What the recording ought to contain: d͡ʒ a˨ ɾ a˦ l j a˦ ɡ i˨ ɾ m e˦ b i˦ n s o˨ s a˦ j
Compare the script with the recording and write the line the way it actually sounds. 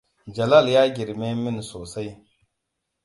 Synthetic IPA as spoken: d͡ʒ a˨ l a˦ l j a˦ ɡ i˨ ɾ m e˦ m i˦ n s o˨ s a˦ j